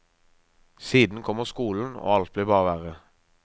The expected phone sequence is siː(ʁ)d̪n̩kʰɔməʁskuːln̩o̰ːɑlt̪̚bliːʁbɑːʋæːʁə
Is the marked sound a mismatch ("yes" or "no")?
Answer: yes